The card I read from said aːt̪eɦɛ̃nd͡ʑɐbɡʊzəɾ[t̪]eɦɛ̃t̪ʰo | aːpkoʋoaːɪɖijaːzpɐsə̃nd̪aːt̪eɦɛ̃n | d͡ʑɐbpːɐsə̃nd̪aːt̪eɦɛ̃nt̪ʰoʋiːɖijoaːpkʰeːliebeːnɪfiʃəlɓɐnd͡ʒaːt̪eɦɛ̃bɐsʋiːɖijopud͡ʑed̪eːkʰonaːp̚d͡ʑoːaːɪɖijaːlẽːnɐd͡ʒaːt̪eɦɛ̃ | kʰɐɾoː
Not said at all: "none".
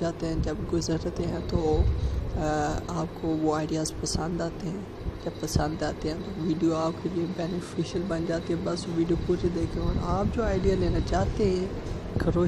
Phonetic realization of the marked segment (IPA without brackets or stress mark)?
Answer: t̪